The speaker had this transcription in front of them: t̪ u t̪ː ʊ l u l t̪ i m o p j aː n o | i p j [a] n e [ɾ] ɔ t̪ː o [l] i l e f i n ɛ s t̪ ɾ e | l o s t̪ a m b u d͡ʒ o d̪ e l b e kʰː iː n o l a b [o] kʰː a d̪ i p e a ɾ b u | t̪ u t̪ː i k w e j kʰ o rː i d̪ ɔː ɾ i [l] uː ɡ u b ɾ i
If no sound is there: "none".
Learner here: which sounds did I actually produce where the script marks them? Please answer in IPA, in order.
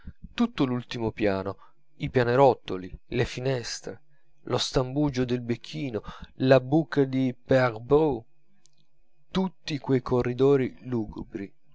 a, ɾ, l, u, l

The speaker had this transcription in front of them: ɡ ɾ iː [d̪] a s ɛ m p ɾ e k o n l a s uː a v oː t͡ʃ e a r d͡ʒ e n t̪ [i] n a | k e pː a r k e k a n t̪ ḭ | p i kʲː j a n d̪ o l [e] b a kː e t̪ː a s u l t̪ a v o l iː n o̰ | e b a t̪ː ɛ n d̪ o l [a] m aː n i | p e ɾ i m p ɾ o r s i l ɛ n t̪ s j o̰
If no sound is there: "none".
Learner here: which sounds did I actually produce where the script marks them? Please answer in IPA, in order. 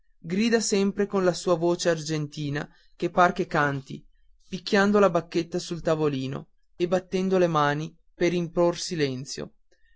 d̪, iː, a, e

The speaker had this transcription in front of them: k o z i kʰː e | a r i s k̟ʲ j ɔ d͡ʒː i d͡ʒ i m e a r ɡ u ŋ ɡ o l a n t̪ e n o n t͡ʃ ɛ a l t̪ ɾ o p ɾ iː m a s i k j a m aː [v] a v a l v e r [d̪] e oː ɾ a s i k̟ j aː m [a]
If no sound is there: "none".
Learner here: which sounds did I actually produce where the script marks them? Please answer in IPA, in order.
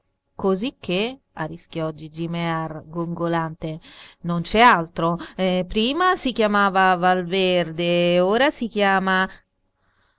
v, d̪, a

